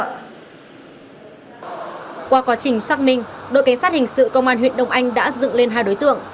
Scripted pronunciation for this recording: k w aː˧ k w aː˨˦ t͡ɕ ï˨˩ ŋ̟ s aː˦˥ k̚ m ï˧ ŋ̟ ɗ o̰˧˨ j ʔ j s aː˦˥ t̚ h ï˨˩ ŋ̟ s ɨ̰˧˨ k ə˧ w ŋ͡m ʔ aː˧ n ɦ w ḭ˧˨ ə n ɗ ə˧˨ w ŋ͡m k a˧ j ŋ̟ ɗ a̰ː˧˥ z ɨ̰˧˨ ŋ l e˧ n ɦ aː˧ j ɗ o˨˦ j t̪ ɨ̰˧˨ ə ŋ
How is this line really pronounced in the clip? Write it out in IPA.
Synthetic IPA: k w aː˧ k w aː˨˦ t͡ɕ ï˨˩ ŋ̟ s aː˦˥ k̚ m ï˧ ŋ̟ ɗ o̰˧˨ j k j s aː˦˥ t̚ h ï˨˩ ŋ̟ s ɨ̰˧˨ k ə˧ w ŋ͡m ʔ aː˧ n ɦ w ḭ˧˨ ə n ɗ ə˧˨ w ŋ͡m ʔ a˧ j ŋ̟ ɗ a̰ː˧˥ z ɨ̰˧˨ ŋ l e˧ n ɦ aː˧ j ɗ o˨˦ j t̪ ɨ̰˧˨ ə ŋ